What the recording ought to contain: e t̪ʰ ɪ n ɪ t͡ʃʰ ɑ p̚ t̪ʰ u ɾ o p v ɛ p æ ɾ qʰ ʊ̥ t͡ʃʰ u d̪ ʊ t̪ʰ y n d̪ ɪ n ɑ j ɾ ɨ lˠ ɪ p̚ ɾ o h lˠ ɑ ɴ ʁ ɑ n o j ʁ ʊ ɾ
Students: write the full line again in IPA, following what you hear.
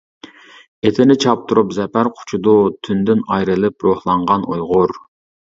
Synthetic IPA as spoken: e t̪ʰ ɪ n ɪ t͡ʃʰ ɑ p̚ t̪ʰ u ɾ u p z ɛ p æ ɾ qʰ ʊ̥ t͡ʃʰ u d̪ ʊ t̪ʰ y n d̪ ɪ n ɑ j ɾ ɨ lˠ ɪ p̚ ɾ o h lˠ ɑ ɴ ʁ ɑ n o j ʁ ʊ ɾ